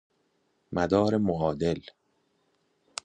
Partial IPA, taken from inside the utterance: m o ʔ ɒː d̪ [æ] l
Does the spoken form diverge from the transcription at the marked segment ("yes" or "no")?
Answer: yes